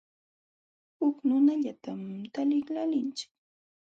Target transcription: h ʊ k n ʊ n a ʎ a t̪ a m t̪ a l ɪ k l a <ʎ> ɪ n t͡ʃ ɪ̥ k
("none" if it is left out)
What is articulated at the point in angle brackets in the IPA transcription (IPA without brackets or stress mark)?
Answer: l